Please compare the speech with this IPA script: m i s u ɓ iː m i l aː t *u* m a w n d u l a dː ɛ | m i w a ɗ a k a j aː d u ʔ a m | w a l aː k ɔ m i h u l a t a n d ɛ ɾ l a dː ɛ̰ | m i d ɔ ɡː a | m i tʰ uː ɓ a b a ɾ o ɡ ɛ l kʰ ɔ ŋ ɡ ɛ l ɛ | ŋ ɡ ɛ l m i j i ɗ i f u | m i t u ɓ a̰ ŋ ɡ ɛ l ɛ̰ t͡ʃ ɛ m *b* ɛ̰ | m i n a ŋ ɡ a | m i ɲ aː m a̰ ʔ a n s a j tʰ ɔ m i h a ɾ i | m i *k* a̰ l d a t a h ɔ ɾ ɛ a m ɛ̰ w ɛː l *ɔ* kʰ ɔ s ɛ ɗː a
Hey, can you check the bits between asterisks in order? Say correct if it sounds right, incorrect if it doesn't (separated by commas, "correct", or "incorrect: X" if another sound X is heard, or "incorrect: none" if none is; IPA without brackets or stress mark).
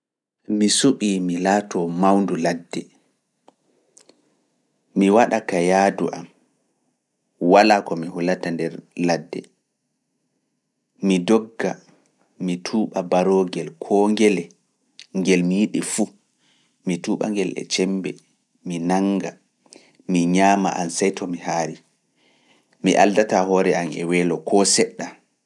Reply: incorrect: ɔ, correct, incorrect: ʔ, correct